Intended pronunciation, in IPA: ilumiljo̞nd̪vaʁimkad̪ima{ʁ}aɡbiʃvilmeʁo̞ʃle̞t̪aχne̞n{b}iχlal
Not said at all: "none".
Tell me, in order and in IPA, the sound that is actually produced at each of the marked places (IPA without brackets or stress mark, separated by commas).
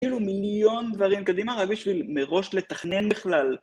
ʁ, b